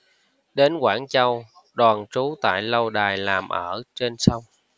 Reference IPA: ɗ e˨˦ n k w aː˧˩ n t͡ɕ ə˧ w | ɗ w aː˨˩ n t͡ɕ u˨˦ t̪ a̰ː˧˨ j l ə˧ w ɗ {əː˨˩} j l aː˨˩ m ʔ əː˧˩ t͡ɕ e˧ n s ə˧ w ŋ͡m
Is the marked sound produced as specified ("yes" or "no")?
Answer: no